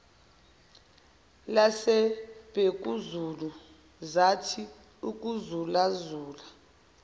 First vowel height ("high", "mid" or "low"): low